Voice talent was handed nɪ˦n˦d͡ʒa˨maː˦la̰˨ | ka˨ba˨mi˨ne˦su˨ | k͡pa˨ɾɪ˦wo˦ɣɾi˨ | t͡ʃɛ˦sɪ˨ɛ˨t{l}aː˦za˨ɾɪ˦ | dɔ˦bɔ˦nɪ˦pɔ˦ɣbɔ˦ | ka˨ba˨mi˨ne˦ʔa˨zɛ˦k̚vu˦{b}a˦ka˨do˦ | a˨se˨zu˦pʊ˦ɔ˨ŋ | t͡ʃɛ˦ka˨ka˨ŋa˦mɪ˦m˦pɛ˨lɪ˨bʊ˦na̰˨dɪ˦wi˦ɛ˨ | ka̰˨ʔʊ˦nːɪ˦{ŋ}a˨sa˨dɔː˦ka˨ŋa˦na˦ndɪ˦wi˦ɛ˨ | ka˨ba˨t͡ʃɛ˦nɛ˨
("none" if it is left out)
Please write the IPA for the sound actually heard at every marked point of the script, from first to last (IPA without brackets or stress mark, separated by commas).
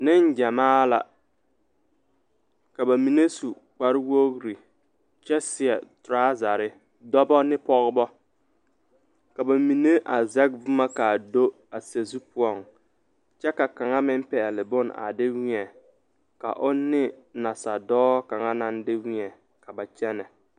ɾ, m, n